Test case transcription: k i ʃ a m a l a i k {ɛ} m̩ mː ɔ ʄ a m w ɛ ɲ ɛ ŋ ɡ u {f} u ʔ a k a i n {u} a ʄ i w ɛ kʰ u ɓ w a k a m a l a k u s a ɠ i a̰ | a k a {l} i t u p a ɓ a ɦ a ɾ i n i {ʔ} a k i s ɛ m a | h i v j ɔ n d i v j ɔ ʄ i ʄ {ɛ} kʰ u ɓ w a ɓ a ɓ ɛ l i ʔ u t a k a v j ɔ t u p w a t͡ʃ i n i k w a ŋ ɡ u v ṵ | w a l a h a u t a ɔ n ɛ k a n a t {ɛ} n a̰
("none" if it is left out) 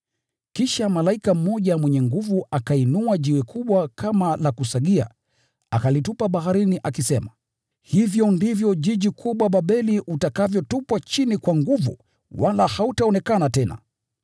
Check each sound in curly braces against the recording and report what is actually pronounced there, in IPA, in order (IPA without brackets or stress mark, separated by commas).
a, v, u, l, ʔ, i, ɛ